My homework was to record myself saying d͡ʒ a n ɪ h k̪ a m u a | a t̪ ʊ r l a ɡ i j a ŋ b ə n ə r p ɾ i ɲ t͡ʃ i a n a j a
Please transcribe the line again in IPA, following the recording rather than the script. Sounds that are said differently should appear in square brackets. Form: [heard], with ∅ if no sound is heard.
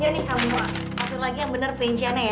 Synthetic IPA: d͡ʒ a n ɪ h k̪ a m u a | a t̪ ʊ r l a ɡ i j a ŋ b ə n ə r p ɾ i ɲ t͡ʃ i a n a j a